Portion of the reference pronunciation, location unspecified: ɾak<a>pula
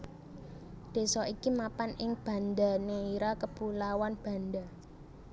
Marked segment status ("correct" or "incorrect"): incorrect